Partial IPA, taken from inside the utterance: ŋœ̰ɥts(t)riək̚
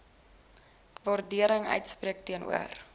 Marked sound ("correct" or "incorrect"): incorrect